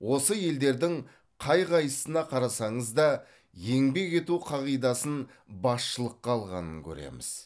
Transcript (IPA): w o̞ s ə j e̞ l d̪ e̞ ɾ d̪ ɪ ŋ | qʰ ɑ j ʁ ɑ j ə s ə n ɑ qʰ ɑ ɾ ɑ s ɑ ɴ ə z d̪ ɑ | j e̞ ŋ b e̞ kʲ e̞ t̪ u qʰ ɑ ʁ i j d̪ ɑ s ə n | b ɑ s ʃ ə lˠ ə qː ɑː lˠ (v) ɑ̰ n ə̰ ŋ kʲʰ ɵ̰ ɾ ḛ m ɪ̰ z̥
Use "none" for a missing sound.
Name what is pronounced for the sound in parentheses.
ʁ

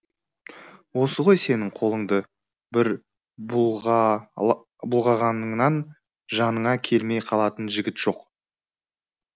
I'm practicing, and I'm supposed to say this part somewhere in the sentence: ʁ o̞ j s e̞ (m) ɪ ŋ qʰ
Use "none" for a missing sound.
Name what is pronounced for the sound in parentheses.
n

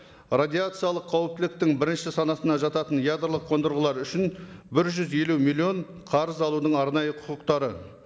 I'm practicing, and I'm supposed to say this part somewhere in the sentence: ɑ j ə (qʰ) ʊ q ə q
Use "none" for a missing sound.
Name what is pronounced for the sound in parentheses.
qʰ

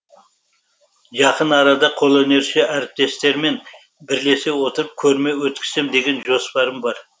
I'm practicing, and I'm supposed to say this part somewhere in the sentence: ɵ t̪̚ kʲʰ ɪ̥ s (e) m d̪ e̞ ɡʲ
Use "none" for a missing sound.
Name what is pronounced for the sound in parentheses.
e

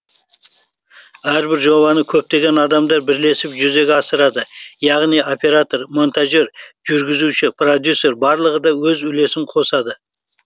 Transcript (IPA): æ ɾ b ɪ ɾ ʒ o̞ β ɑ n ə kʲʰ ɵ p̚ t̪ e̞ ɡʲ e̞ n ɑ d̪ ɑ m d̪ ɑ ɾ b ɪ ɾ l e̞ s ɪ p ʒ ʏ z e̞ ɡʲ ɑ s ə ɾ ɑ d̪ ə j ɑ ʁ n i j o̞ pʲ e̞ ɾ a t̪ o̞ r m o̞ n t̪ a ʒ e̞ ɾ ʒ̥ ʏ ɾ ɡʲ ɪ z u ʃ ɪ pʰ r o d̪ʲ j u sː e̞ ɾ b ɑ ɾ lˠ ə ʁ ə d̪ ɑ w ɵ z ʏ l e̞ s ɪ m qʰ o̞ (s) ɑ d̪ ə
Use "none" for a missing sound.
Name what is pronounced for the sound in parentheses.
s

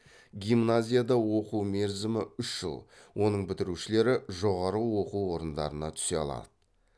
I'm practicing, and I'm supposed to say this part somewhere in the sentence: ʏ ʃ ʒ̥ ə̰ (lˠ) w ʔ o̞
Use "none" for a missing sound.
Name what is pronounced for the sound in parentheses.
lˠ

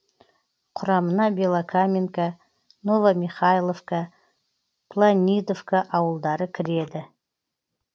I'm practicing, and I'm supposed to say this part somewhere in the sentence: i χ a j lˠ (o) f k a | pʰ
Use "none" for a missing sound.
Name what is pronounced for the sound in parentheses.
o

